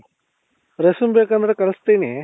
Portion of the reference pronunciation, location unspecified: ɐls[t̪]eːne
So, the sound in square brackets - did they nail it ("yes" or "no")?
yes